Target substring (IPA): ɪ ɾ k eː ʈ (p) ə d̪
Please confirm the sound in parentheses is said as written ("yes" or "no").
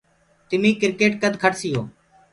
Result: no